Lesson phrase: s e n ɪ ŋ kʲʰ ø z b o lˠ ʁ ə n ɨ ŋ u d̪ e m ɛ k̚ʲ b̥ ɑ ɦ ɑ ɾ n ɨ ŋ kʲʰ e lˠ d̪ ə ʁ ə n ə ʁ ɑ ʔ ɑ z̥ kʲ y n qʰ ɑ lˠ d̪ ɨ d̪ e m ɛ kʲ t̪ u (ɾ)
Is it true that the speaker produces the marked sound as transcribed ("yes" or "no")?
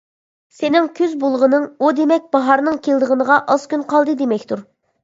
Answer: yes